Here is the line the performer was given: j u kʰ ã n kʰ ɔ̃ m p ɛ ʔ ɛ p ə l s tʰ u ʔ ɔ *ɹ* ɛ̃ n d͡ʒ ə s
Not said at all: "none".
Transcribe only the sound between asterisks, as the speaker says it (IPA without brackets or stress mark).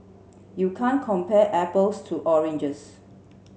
ɹ